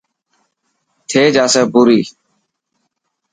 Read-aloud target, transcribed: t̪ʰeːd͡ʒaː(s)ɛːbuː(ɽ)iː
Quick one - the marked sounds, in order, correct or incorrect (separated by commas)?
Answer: correct, incorrect